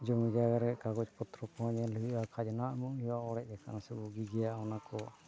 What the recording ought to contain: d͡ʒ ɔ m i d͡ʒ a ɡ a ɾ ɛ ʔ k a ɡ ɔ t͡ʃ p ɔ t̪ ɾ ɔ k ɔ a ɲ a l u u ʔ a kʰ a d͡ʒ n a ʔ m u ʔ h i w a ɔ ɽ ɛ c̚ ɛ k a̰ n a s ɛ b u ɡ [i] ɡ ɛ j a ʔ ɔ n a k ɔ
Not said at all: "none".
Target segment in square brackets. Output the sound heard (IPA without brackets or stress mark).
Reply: i